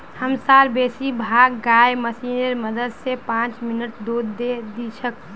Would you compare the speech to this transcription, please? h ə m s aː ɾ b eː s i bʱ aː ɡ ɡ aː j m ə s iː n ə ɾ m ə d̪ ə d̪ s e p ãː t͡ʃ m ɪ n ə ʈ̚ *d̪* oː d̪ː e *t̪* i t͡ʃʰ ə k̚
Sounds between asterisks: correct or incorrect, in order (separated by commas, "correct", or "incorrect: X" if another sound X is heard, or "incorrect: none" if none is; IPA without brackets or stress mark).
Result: correct, incorrect: d̪